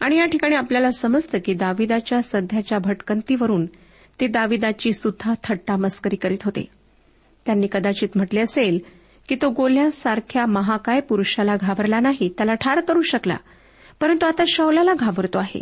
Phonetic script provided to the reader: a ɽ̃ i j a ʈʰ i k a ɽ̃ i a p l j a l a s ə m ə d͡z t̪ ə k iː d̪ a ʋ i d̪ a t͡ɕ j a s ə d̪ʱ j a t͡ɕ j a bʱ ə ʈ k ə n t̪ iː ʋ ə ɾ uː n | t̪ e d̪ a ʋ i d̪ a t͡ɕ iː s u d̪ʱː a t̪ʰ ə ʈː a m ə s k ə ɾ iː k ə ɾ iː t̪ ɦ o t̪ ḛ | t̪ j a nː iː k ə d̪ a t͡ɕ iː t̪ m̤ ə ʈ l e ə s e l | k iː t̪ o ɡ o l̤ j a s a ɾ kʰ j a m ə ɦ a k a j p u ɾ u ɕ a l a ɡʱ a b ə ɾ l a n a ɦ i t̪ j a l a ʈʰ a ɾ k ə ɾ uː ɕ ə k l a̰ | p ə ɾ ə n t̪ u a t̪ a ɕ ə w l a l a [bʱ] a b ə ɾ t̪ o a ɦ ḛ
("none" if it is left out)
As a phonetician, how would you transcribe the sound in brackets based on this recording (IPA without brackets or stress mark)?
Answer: ɡʱ